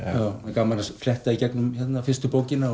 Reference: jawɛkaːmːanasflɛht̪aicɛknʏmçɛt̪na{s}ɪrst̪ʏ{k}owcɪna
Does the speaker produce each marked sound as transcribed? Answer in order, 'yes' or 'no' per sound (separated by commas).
no, no